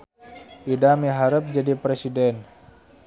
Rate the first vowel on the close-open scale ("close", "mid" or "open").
close